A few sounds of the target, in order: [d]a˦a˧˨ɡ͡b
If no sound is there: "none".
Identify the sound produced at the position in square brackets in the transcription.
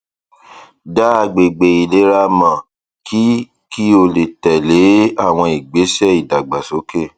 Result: d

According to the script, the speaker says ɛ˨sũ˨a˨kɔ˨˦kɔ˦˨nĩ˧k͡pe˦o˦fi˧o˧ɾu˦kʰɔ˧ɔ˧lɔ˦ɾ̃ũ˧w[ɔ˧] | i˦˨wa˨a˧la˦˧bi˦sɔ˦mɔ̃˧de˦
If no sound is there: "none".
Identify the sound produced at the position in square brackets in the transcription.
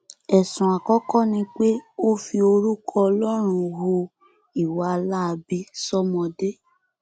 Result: o˧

